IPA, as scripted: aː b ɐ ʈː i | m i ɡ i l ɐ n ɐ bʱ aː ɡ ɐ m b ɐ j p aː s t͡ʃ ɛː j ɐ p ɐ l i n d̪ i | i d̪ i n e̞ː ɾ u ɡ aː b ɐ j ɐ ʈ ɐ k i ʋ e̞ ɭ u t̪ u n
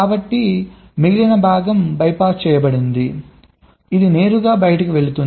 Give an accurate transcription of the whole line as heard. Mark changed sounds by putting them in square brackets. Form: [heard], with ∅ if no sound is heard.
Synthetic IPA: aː b ɐ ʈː i | m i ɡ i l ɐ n ɐ bʱ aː ɡ ɐ m b ɐ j p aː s t͡ʃ ɛː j ɐ [b] ɐ [ɽ] i n d̪ i | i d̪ i n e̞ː ɾ u ɡ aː b ɐ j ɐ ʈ ɐ k i ʋ e̞ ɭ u t̪ u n